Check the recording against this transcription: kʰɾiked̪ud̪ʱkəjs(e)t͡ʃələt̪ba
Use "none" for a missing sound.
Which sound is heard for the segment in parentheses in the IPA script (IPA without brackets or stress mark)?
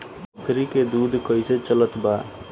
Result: e